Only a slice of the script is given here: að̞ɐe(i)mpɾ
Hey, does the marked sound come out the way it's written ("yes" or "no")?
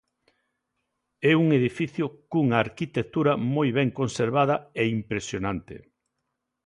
yes